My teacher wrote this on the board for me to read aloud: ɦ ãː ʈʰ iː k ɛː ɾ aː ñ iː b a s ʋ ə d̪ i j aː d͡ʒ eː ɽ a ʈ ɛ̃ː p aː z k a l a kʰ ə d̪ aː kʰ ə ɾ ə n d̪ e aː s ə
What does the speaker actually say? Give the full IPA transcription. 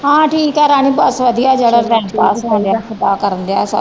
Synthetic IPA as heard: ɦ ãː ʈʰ iː k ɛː ɾ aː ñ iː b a s ʋ ə d̪ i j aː d͡ʒ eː ɽ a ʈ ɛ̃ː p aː s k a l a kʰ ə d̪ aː k ə ɾ ə n d̪ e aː s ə